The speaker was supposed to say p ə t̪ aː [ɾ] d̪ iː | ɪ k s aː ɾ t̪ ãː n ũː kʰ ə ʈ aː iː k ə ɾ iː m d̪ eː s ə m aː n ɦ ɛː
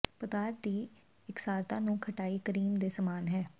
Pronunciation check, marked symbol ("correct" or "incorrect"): correct